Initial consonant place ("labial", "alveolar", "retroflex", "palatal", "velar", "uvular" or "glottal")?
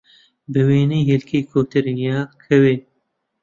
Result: labial